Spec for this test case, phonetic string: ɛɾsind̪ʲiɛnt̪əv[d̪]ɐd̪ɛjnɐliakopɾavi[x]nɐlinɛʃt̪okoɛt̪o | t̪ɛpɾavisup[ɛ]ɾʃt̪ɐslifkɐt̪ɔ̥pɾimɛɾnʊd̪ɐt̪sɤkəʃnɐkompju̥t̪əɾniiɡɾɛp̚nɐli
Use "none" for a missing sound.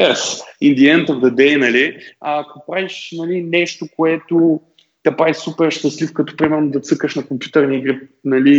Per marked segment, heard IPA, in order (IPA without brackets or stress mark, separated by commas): d̪, ʃ, ɛ